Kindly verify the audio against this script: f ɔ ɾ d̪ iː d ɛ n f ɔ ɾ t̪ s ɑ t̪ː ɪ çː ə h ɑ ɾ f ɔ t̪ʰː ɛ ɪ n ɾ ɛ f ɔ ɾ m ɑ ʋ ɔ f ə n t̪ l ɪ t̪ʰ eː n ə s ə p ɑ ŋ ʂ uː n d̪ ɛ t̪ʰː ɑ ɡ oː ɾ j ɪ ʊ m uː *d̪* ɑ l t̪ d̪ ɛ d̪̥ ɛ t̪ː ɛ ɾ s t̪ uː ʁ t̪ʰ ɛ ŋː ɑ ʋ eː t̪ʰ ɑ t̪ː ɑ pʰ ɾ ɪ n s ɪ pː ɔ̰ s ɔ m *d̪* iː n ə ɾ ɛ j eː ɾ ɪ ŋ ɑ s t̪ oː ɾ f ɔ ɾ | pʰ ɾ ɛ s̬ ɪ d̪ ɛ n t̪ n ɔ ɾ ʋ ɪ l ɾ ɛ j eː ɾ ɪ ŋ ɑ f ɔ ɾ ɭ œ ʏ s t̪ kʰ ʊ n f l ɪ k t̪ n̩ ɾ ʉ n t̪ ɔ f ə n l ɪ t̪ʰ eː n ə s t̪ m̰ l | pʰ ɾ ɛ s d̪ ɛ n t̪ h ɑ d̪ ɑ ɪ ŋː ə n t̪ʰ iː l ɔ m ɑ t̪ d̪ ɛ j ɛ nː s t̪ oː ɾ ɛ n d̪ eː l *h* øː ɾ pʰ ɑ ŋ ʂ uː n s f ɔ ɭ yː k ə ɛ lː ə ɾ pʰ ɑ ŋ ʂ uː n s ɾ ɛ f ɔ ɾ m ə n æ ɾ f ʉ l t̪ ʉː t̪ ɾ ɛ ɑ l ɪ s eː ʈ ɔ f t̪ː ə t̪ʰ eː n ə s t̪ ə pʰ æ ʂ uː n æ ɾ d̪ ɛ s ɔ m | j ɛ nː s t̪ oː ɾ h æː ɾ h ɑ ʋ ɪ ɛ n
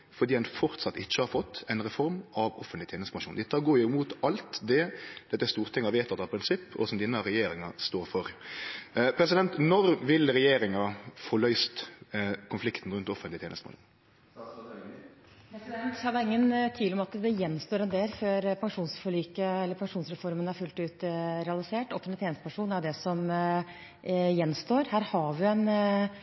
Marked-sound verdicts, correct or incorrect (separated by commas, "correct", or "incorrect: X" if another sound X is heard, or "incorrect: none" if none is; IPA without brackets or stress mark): incorrect: t̪, correct, incorrect: f